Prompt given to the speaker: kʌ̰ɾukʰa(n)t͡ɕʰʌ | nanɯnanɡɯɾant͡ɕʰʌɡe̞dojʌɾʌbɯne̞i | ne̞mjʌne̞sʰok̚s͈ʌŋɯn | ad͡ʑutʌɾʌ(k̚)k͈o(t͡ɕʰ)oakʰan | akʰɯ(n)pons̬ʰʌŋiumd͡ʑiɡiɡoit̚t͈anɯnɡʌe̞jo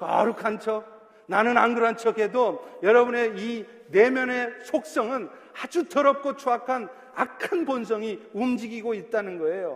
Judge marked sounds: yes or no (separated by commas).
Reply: yes, no, yes, yes